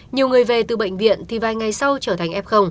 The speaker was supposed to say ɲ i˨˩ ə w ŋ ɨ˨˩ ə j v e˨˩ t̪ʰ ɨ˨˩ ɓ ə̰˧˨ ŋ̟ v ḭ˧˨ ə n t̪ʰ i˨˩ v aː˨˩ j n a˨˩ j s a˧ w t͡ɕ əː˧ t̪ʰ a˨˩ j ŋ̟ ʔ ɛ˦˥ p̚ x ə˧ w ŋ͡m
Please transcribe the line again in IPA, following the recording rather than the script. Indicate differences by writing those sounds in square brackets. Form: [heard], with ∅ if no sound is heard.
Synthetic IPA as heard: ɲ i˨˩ ə w ŋ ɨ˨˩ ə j v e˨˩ [t̪] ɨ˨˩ ɓ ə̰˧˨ ŋ̟ v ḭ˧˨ ə n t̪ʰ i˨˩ v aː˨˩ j [ŋ] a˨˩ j s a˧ w t͡ɕ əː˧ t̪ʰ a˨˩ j ŋ̟ ʔ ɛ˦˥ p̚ x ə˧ w ŋ͡m

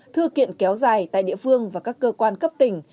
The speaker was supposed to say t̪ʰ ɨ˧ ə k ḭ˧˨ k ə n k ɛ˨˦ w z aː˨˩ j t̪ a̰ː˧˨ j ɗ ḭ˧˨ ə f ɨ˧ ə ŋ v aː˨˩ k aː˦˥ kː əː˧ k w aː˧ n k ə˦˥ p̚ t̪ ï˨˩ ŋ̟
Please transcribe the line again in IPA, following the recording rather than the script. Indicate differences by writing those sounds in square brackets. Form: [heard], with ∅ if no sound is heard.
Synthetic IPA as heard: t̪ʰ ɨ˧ ə k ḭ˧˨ [∅] ə n k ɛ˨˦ w z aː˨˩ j t̪ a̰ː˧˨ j ɗ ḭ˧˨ ə f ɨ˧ ə ŋ v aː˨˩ k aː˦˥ kː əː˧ k w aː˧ n k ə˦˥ p̚ t̪ ï˨˩ ŋ̟

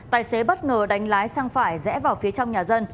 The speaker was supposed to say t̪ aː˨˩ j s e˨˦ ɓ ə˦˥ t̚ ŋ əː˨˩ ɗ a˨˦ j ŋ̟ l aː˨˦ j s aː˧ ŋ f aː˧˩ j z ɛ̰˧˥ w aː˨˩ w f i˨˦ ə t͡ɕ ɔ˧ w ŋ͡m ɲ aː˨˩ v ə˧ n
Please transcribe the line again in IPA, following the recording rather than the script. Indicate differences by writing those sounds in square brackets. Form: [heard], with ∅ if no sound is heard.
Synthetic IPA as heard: t̪ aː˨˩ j s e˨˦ ɓ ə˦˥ t̚ ŋ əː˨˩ ɗ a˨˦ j ŋ̟ l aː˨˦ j s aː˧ ŋ f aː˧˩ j z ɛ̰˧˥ [v] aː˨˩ w f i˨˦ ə t͡ɕ ɔ˧ w ŋ͡m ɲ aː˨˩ [z] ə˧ n

